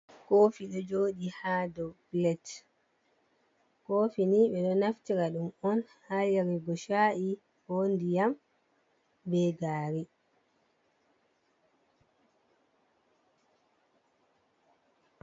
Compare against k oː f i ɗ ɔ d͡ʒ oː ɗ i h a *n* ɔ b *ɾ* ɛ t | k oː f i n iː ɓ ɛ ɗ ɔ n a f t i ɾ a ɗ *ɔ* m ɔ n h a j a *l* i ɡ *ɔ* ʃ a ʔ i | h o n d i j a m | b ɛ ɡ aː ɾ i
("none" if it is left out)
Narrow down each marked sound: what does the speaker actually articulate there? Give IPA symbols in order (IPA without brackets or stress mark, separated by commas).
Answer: d, l, u, ɾ, ɔ